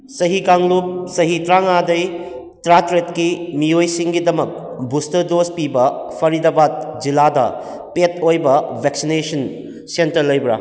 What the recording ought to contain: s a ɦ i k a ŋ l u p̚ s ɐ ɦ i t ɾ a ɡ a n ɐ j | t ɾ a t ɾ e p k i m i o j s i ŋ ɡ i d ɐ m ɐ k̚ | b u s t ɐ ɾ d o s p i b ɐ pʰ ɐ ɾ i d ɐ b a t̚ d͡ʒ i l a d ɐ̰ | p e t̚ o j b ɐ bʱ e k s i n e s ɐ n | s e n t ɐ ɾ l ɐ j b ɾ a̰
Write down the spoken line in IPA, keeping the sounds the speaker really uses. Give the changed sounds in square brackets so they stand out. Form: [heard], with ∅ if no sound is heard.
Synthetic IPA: s [ɐ] ɦ i k a ŋ l u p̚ s ɐ ɦ i t ɾ a [ŋ] a [d] ɐ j | t ɾ a t ɾ e [t] k i m i o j s i ŋ ɡ i d ɐ m ɐ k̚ | b u s t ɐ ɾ d o s p i b ɐ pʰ ɐ ɾ i d ɐ b a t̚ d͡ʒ i l a d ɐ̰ | p e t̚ o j b ɐ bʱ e k s i n e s ɐ n | s e n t ɐ ɾ l ɐ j b ɾ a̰